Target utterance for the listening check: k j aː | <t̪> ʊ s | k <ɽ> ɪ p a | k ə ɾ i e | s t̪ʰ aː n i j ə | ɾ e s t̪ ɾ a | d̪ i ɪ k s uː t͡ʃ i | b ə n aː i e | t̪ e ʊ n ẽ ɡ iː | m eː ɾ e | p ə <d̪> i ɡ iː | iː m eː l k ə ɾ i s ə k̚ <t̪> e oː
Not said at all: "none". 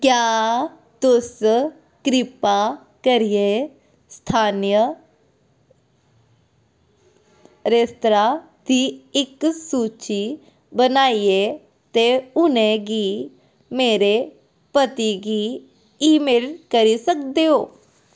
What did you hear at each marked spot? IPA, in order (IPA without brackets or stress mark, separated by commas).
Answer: t̪, ɾ, t̪, d̪